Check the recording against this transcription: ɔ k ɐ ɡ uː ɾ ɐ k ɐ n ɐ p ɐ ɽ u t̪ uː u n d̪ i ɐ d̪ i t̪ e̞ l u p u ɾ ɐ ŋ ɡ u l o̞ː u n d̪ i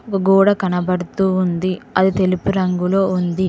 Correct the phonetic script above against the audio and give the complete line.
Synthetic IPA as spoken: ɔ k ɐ ɡ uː ɽ ɐ k ɐ n ɐ b ɐ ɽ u t̪ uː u n d̪ i ɐ d̪ i t̪ e̞ l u p u ɾ ɐ ŋ ɡ u l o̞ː u n d̪ i